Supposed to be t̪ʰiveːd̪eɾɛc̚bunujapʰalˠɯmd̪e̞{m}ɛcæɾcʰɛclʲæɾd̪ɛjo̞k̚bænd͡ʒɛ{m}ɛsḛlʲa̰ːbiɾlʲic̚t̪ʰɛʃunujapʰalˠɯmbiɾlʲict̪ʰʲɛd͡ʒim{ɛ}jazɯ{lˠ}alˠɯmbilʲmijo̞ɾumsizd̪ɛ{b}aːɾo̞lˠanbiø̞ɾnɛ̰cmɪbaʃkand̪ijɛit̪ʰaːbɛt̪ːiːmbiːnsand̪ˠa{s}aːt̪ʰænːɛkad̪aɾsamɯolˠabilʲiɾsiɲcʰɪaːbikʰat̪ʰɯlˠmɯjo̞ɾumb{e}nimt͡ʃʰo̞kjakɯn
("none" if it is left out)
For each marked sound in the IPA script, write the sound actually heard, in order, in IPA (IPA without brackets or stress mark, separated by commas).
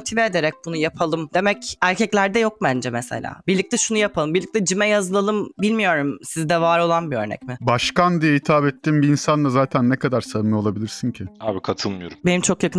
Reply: m, m, ɛ, lˠ, v, z, e